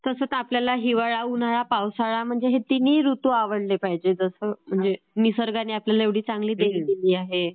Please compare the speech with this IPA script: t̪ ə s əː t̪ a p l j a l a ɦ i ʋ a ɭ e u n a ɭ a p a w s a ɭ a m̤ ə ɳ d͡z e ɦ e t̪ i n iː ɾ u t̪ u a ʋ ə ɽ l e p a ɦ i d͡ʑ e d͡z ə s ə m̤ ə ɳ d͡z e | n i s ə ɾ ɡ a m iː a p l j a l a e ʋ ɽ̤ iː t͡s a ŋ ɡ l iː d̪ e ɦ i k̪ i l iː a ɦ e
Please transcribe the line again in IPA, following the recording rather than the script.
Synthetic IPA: t̪ ə s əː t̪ a p l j a l a ɦ i ʋ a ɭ a u n a ɭ a p a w s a ɭ a m̤ ə ɳ d͡z e ɦ e t̪ i n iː ɾ u t̪ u a ʋ ə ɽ l e p a ɦ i d͡ʑ e d͡z ə s ə m̤ ə ɳ d͡z e | n i s ə ɾ ɡ a n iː a p l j a l a e ʋ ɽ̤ iː t͡s a ŋ ɡ l iː d̪ e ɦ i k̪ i l iː a ɦ e